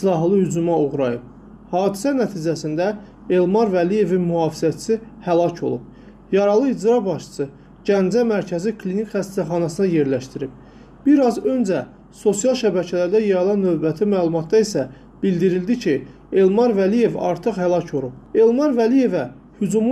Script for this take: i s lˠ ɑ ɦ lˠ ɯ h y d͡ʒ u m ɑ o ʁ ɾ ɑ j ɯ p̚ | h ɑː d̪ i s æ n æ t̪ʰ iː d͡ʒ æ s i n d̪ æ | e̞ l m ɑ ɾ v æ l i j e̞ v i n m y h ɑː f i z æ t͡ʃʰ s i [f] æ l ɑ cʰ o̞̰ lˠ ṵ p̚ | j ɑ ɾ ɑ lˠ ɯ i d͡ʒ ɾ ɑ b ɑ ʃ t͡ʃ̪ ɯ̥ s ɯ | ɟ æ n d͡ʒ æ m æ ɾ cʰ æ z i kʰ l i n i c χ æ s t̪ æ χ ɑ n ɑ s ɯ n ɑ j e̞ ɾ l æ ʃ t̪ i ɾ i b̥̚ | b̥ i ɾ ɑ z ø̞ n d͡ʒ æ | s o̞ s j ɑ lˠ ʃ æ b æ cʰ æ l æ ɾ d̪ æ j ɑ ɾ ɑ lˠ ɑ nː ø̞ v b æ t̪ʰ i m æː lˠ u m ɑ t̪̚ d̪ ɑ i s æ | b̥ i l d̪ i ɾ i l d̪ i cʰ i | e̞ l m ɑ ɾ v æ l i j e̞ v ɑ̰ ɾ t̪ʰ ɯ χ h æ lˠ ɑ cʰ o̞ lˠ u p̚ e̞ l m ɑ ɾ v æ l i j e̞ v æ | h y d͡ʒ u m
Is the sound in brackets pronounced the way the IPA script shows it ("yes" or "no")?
no